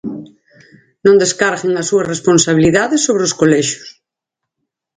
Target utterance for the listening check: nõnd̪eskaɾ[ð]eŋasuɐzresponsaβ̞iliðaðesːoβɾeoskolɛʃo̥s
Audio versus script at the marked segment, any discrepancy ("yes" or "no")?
yes